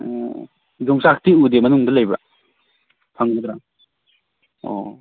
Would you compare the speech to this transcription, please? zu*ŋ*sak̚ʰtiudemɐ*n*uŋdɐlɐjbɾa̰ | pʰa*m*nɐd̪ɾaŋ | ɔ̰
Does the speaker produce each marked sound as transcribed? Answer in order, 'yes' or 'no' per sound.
yes, yes, no

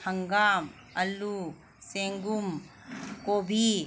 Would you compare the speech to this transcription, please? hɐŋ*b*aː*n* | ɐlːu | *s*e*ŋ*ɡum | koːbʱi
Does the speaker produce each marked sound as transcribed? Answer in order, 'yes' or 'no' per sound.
no, no, yes, yes

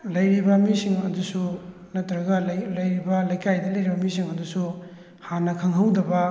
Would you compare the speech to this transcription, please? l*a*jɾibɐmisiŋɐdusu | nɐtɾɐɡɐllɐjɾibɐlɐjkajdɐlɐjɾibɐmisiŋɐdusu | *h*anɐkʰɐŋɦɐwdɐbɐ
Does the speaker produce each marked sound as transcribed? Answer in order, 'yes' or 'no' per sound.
no, yes

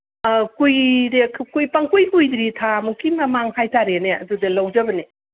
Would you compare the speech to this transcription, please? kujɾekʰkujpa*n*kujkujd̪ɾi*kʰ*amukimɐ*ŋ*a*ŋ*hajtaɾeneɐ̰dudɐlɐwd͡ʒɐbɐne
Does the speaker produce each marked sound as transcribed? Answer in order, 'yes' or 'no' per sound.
no, no, no, yes

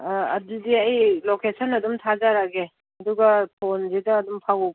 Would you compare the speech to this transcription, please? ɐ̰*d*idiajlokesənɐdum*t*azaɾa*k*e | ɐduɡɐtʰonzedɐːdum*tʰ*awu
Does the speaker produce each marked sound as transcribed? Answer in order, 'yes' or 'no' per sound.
yes, no, no, no

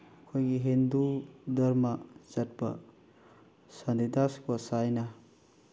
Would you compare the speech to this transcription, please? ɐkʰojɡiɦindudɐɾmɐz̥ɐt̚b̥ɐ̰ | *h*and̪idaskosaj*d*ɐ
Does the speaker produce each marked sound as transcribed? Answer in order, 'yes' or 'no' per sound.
no, no

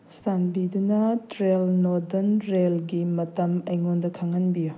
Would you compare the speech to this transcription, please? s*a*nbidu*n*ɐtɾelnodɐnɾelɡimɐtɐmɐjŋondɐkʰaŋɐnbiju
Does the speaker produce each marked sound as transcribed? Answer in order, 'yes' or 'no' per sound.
yes, yes

